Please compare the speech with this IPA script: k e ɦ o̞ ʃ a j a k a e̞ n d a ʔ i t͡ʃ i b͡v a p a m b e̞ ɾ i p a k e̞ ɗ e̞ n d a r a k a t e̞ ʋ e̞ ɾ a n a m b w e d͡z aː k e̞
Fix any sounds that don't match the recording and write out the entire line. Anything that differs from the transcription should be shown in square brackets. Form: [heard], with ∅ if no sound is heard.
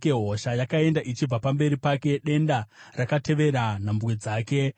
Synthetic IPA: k e ɦ o̞ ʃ a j a k a e̞ n d a ʔ i t͡ʃ i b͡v a p a m b e̞ ɾ i p a k e̞ ɗ e̞ n d a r a k a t e̞ ʋ e̞ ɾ a n a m b w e d͡z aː k e̞